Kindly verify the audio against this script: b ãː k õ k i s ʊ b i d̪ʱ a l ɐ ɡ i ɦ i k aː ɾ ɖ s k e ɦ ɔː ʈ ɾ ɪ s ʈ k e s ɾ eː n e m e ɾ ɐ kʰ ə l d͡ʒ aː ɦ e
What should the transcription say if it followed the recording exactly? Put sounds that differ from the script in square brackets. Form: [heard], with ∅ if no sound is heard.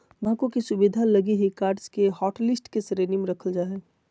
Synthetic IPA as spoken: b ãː k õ k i s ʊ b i d̪ʱ a l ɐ ɡ i ɦ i k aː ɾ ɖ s k e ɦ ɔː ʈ [l] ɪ s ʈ k e s ɾ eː n [i] m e ɾ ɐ kʰ ə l d͡ʒ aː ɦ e